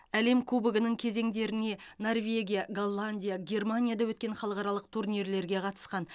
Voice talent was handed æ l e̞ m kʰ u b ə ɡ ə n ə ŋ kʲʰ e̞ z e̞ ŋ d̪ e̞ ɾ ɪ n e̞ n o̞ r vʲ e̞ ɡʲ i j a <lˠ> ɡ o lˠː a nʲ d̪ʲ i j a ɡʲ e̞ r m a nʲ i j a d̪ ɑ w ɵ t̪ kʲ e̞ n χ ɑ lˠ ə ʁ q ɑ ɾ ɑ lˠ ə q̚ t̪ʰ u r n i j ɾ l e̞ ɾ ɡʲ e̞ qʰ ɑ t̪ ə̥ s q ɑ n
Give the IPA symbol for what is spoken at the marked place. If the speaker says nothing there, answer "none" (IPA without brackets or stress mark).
none